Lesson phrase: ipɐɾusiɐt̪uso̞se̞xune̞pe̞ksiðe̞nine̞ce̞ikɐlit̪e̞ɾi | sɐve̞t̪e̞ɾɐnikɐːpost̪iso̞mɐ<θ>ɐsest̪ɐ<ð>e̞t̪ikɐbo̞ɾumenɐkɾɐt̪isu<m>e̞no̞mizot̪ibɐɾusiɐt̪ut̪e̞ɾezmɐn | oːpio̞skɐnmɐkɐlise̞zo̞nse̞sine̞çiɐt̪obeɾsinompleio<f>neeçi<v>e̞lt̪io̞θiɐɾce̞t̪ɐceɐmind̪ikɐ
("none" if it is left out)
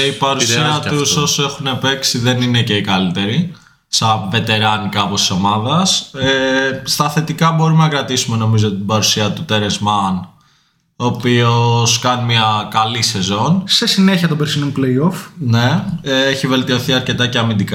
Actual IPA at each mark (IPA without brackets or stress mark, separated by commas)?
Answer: ð, θ, m, f, v